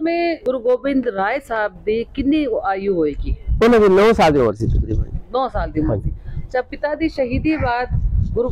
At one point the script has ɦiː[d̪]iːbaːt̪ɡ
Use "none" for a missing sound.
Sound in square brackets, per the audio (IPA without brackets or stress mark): d̪